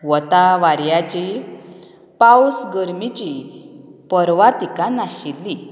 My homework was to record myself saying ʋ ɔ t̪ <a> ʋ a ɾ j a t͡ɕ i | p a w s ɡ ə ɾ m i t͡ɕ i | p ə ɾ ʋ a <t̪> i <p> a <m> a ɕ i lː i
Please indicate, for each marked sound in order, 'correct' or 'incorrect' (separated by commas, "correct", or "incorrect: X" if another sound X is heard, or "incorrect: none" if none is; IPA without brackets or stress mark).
correct, correct, incorrect: k, incorrect: n